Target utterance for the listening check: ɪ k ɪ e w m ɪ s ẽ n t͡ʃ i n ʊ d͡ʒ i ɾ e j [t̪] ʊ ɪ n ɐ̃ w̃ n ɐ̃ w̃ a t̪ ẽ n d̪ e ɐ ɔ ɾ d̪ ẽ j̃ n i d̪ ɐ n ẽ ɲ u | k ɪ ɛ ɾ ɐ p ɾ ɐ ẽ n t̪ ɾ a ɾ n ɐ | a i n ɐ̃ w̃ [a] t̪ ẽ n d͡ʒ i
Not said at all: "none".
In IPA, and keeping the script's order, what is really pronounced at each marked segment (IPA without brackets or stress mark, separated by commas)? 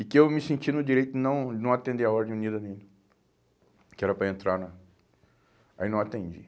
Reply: t̪, a